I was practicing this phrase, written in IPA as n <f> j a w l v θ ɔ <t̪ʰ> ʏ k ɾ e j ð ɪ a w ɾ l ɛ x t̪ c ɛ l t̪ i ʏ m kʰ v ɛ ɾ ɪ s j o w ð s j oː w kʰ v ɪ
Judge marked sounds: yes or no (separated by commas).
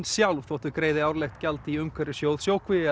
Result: no, no